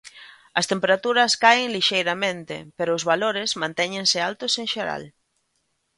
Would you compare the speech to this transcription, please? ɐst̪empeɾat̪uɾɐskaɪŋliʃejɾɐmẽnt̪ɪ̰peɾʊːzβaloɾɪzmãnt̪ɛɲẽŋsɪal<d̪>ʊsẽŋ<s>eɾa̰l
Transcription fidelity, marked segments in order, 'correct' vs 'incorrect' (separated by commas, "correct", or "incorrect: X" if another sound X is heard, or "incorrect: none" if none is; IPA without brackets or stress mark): incorrect: t̪, incorrect: ʃ